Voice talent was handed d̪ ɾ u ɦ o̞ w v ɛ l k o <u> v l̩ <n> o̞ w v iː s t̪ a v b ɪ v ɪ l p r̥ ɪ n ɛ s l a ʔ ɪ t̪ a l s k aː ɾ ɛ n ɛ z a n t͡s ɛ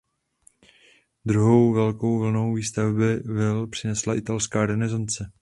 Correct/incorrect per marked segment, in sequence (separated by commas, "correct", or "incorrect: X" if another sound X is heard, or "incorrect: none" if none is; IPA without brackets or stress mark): incorrect: w, correct